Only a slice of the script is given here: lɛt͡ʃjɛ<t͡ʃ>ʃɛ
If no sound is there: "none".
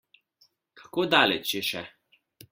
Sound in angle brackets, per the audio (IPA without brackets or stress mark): none